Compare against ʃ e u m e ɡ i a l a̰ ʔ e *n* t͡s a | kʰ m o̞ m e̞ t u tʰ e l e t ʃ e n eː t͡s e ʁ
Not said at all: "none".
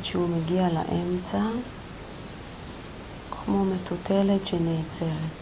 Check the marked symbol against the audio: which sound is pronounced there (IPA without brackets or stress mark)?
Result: m